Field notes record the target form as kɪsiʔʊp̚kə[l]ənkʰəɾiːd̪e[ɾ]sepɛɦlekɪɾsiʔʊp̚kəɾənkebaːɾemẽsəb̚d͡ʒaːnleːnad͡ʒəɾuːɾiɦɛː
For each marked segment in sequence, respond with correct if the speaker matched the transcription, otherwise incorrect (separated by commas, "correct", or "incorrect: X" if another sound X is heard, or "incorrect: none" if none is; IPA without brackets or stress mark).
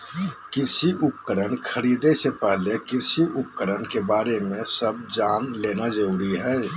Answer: incorrect: ɾ, incorrect: none